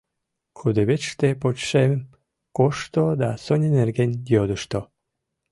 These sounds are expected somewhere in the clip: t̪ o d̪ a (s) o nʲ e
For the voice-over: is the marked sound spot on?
yes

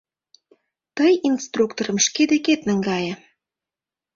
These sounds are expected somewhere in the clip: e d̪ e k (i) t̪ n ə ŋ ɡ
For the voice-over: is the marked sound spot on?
no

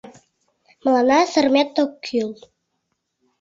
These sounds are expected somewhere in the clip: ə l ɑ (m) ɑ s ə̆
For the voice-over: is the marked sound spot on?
no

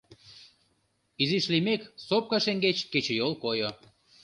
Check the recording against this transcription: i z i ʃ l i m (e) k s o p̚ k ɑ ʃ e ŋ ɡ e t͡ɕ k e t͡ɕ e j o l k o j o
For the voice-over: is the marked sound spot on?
yes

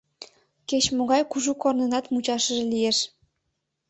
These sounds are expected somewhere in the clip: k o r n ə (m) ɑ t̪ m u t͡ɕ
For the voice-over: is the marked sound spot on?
no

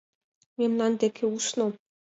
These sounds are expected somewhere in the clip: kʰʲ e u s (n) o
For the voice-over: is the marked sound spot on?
yes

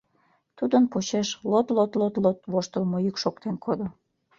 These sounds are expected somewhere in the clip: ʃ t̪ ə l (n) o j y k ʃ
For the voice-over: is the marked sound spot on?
no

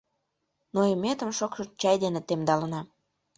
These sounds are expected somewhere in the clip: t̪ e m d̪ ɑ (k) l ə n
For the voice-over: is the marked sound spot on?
no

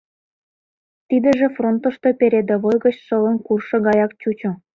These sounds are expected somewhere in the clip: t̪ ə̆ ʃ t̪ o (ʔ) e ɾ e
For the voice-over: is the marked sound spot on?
no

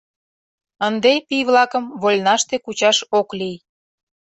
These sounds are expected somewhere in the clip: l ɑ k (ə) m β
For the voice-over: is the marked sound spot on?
yes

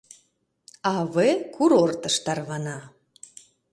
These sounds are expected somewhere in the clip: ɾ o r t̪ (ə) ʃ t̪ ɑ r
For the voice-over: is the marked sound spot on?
yes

